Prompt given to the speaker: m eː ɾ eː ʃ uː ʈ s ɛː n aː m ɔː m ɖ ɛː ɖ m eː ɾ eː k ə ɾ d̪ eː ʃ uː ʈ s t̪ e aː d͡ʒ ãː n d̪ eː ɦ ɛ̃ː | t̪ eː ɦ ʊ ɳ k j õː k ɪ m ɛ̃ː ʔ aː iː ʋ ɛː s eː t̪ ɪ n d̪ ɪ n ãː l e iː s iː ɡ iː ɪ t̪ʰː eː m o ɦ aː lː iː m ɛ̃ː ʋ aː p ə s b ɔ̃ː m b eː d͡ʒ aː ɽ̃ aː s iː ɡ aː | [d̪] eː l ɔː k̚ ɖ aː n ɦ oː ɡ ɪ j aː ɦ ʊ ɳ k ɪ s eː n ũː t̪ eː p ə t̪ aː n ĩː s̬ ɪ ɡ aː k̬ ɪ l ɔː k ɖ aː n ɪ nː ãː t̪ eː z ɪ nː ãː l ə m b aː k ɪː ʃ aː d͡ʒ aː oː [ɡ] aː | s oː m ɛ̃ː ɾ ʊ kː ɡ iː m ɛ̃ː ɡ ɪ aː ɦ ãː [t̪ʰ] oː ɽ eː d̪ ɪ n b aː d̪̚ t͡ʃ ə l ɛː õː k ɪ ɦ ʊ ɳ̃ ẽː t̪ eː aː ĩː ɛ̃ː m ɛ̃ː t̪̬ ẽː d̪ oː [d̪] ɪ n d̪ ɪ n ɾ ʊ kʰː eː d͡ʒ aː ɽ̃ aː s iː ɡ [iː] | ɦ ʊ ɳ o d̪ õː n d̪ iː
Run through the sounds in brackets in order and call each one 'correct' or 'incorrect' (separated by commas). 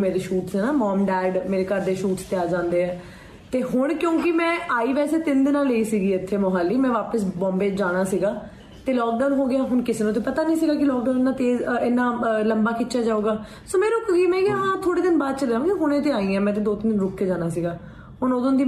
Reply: incorrect, correct, correct, incorrect, incorrect